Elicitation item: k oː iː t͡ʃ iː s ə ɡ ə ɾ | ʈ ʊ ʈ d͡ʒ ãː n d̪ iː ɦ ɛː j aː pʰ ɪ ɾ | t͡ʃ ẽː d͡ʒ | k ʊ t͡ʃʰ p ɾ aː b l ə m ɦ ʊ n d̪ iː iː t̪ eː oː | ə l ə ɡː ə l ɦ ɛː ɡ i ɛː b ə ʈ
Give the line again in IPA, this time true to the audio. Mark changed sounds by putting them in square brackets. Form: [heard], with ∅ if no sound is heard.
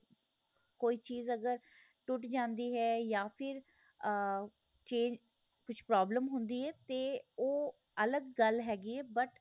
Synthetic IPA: k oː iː t͡ʃ iː [z] ə ɡ ə ɾ | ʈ ʊ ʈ d͡ʒ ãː n d̪ iː ɦ ɛː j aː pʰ ɪ ɾ | t͡ʃ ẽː d͡ʒ | k ʊ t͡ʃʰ p ɾ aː b l ə m ɦ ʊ n d̪ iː [ɛː] t̪ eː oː | ə l ə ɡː ə l ɦ ɛː ɡ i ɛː b ə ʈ